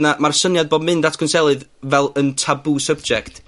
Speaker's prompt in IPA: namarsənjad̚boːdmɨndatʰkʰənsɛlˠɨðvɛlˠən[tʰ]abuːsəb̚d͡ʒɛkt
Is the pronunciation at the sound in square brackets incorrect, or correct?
correct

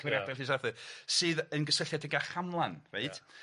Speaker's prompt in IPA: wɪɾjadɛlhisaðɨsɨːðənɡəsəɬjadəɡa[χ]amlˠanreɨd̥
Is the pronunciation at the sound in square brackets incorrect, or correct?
correct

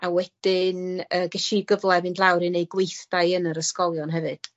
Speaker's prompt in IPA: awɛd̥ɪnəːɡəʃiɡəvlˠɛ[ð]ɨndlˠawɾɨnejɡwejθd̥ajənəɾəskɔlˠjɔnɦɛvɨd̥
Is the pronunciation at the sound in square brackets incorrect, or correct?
incorrect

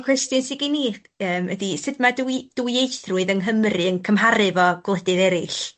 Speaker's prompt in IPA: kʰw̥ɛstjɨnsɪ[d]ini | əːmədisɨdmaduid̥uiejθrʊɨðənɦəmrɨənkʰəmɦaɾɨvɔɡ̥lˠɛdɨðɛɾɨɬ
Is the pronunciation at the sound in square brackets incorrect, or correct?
incorrect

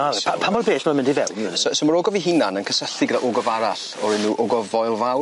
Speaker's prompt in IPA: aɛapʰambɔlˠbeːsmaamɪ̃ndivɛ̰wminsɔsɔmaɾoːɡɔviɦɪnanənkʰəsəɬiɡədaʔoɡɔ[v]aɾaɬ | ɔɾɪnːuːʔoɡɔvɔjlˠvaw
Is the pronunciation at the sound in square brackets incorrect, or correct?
correct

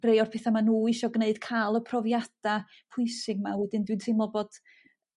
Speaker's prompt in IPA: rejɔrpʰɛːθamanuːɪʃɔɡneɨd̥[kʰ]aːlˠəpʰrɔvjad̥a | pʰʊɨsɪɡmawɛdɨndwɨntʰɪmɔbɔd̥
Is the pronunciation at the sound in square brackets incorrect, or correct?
correct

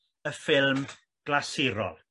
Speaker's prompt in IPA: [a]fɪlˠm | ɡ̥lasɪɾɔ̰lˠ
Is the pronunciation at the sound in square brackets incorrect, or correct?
incorrect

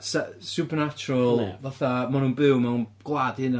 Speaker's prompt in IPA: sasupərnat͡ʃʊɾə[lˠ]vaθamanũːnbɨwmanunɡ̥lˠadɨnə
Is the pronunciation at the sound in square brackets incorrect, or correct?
correct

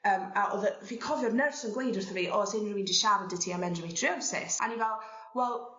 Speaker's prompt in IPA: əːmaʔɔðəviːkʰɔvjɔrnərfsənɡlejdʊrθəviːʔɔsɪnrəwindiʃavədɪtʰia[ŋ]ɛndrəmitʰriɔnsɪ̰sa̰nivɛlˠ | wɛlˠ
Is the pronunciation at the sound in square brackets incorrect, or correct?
incorrect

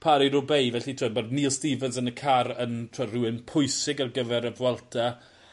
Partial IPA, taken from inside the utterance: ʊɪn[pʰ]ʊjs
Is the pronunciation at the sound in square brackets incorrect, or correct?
correct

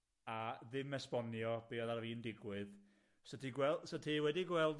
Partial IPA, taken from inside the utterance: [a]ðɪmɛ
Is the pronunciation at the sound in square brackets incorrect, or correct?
correct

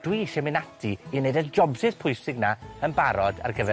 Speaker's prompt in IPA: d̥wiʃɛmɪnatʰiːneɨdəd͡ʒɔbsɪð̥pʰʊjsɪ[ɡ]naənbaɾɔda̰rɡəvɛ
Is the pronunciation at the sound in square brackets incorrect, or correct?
correct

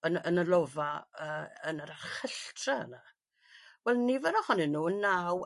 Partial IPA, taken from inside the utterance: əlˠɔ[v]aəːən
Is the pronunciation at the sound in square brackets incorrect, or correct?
correct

